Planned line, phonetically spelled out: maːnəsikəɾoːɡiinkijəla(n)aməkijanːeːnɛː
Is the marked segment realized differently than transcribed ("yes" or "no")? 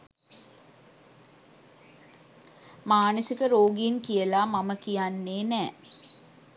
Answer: yes